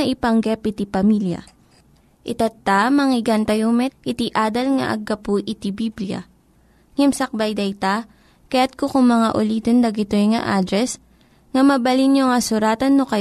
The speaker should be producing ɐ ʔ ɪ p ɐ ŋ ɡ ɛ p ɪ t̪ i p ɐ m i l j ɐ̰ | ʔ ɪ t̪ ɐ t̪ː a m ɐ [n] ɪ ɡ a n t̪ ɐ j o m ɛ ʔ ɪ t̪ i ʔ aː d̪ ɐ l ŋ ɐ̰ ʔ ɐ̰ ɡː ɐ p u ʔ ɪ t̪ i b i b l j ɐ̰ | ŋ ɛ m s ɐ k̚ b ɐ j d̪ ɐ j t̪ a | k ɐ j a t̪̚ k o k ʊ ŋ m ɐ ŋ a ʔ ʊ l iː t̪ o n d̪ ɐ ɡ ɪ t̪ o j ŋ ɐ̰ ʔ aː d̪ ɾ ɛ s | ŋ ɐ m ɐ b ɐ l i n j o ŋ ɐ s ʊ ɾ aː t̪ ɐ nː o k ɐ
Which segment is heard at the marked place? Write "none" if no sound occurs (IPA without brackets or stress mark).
ŋ